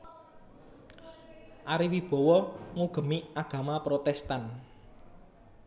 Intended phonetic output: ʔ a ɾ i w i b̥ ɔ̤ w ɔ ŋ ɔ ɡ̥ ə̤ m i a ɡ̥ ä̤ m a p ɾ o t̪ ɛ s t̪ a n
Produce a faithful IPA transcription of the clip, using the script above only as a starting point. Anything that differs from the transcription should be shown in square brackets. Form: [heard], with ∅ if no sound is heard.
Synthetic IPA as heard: ʔ a ɾ i w i b̥ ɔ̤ w ɔ ŋ [u] ɡ̥ ə̤ m i a ɡ̥ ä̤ m a p ɾ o t̪ ɛ s t̪ a n